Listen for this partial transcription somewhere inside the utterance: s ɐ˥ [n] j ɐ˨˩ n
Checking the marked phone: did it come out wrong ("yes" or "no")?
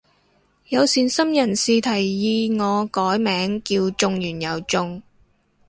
yes